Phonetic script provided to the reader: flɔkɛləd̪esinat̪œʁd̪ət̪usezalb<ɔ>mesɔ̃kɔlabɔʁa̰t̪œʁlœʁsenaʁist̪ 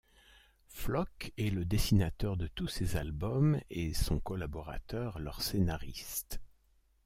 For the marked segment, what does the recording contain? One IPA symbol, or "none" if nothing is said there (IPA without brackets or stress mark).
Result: ɔ